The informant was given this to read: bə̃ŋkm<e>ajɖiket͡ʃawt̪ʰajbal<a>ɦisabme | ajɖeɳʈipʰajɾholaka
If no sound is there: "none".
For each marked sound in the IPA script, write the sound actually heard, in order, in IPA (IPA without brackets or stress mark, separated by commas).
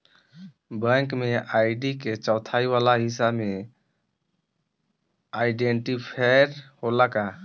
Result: e, a